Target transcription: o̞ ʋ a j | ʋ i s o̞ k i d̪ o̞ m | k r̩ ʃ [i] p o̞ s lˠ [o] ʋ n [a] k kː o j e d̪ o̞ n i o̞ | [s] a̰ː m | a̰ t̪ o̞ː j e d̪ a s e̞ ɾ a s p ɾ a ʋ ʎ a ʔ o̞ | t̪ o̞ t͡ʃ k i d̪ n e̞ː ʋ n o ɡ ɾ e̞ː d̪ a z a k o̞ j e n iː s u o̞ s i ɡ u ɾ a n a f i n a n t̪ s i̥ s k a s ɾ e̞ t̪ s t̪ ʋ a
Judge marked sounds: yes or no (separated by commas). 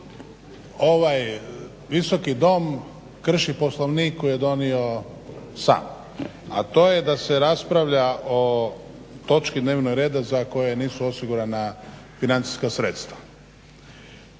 yes, yes, no, yes